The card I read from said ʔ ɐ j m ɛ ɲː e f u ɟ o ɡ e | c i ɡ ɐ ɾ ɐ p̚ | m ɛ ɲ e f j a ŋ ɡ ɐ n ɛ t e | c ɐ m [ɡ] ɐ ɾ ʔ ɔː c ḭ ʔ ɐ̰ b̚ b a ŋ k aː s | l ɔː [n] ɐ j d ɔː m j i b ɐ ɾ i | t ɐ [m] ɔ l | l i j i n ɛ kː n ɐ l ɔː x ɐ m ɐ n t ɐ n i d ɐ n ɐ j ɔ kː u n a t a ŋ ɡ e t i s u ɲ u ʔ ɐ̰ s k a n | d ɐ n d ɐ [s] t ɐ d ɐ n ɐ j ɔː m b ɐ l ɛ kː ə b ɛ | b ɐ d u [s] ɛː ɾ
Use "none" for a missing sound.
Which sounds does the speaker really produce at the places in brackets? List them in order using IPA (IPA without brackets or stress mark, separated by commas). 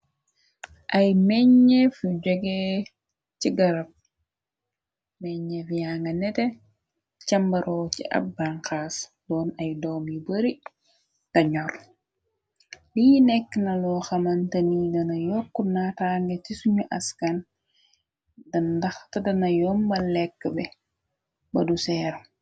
b, n, ɲ, x, s